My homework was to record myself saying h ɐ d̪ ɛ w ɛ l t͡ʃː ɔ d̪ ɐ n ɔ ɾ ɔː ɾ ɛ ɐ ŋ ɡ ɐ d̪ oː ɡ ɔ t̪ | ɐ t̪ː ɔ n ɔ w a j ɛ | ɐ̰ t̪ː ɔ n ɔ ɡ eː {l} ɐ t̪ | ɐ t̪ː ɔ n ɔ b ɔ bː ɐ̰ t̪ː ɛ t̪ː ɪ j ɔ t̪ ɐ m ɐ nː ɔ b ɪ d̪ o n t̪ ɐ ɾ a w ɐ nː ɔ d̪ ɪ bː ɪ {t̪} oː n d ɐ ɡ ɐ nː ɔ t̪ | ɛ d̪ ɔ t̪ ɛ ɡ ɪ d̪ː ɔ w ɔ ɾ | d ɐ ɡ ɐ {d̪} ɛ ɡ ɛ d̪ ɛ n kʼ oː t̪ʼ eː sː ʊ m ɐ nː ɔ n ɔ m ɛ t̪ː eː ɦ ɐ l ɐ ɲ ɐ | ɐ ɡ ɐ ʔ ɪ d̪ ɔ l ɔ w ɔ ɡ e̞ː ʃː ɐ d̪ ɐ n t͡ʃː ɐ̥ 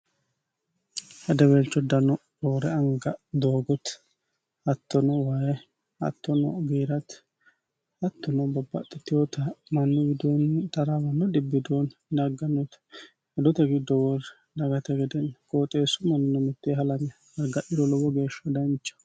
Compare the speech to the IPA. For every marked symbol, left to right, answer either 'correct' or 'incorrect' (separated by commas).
incorrect, incorrect, incorrect